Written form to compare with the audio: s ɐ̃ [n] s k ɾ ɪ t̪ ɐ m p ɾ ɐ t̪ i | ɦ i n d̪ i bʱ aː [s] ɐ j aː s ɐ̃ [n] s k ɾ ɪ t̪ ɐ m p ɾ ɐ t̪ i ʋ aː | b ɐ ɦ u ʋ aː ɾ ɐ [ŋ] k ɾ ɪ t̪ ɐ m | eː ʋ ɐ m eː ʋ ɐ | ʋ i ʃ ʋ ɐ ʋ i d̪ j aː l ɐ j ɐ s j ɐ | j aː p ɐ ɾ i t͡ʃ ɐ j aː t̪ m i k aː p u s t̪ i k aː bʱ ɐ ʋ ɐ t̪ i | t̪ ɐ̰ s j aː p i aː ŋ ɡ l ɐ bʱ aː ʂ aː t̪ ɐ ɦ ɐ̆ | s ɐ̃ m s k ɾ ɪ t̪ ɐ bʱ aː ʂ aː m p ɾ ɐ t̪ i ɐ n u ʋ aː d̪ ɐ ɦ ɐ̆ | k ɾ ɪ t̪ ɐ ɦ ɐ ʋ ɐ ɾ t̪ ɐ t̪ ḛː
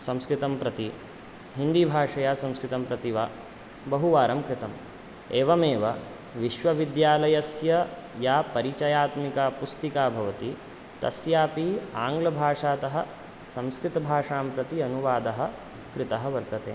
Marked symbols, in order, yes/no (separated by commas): no, no, no, no